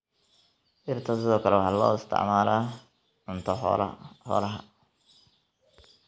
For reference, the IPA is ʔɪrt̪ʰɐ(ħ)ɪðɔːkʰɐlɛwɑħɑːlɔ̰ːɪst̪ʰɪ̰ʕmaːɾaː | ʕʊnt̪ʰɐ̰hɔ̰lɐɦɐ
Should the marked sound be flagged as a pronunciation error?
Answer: yes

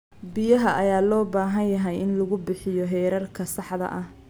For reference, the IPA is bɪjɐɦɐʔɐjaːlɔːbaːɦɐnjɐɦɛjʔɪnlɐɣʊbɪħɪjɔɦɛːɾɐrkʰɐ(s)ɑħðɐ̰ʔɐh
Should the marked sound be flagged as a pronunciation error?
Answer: no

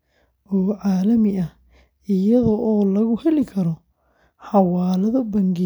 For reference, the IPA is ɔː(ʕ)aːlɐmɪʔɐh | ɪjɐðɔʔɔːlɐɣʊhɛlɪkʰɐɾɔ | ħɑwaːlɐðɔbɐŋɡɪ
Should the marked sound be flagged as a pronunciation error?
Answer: no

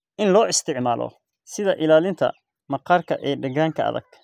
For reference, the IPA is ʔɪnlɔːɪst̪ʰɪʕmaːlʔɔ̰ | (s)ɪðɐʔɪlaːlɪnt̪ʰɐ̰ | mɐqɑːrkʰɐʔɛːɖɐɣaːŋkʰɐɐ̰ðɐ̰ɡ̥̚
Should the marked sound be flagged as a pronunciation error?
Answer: no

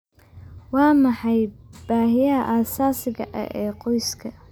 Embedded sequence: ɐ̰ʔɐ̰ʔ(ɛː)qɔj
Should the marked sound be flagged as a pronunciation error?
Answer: no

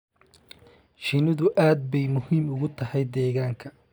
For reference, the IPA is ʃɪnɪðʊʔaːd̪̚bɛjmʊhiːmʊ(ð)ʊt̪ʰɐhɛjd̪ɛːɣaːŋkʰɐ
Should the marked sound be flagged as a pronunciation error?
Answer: yes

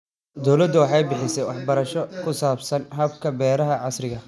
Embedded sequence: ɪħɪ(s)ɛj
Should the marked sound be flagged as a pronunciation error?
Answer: no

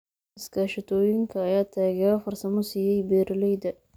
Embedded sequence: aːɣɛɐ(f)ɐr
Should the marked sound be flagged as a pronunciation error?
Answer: no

